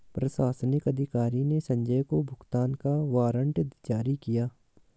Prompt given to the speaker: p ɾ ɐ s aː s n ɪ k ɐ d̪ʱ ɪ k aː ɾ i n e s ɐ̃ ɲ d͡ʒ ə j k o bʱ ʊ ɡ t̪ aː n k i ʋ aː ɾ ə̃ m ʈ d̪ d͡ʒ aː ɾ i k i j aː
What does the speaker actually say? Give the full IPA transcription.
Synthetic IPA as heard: p ɾ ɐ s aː s n ɪ k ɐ d̪ʱ ɪ k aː ɾ i n e s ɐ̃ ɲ d͡ʒ ə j k o bʱ ʊ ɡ t̪ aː n k a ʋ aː ɾ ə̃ ɳ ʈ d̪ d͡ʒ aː ɾ i k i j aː